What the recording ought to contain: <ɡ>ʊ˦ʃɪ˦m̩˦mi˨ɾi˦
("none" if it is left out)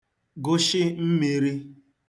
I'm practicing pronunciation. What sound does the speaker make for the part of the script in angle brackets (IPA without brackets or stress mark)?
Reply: ɡ